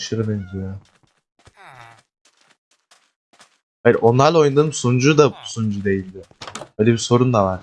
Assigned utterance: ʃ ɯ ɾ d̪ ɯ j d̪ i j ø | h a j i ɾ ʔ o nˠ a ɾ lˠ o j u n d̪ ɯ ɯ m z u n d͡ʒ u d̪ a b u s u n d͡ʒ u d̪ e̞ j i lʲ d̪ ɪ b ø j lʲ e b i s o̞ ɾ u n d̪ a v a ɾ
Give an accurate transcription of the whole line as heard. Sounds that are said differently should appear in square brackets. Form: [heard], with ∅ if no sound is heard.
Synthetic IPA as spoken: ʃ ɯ ɾ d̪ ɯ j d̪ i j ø | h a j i ɾ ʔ o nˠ a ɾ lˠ o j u n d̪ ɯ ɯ m [s] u n d͡ʒ u d̪ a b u s u n d͡ʒ u d̪ e̞ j i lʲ d̪ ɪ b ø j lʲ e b i s o̞ ɾ u n d̪ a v a ɾ